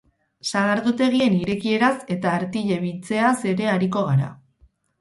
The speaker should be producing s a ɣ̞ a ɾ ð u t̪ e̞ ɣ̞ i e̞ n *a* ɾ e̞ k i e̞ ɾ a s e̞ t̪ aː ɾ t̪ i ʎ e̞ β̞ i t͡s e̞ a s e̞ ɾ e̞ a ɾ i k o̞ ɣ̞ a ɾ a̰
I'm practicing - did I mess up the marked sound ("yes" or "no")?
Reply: yes